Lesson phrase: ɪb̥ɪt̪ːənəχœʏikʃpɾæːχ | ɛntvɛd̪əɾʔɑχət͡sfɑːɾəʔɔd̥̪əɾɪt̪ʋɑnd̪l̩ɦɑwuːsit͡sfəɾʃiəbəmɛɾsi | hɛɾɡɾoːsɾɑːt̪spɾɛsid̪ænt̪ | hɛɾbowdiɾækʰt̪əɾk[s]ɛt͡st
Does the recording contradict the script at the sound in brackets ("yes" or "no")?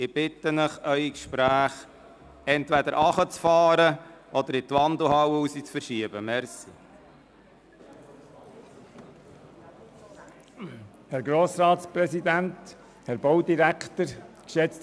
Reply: yes